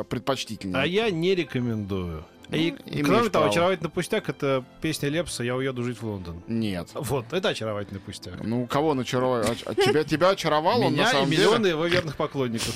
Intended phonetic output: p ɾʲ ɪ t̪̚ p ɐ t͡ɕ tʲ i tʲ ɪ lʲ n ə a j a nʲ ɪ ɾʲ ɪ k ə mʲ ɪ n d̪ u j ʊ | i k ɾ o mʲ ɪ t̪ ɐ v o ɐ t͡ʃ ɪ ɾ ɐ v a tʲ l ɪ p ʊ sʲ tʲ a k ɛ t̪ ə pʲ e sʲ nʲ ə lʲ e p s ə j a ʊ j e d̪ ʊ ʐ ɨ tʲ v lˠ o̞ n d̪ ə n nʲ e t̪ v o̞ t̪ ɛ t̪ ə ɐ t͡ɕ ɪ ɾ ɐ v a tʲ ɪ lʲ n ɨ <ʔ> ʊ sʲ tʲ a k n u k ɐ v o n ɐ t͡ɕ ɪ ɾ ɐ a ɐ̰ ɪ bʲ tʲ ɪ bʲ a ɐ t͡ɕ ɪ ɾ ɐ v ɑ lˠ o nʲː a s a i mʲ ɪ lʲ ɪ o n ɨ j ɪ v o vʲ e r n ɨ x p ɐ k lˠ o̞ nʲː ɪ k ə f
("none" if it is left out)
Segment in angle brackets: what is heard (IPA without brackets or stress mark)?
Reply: p